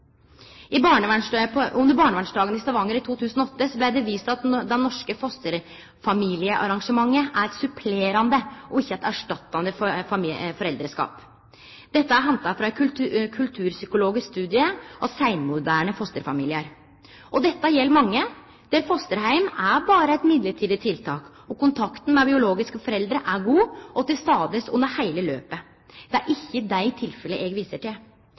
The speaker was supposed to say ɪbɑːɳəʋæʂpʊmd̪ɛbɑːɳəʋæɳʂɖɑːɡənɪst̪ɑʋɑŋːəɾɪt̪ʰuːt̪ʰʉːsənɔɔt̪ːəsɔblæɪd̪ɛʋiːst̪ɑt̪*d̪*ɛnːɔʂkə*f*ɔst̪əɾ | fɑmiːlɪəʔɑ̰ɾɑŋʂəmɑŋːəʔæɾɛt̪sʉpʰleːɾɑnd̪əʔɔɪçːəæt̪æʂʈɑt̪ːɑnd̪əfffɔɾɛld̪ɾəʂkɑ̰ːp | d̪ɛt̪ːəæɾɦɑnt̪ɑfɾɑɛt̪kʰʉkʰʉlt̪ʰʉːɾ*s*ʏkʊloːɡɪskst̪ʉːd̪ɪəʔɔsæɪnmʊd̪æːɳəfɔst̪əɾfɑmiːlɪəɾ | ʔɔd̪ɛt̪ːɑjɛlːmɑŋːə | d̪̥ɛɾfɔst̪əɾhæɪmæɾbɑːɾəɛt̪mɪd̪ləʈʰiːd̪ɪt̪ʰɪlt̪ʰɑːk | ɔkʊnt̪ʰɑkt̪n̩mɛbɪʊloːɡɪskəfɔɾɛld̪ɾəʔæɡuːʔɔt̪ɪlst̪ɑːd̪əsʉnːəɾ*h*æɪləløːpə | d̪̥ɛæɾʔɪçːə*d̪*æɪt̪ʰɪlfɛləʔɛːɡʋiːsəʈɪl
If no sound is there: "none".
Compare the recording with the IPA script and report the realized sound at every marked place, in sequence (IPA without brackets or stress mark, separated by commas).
d̪, f, s, h, d̪